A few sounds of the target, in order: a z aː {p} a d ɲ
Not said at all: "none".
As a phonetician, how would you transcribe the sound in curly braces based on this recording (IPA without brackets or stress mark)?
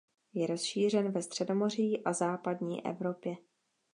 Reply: p